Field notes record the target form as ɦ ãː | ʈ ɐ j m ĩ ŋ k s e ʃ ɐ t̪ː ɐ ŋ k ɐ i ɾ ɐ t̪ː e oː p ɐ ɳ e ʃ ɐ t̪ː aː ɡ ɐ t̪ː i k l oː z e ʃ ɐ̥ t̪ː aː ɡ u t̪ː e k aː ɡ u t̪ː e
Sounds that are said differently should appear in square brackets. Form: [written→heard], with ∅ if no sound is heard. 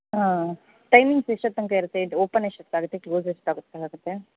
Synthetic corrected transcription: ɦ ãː | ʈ ɐ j m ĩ ŋ [k→ɡ] s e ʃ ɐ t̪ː ɐ ŋ k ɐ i ɾ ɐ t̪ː e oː p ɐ [ɳ→n] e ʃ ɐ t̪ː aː ɡ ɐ t̪ː [i→e] k l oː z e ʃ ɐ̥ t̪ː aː ɡ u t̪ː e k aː ɡ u t̪ː e